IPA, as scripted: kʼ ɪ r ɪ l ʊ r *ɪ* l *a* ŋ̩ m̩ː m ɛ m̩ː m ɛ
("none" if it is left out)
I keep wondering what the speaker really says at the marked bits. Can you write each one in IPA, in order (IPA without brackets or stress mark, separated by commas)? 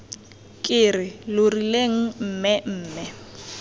i, e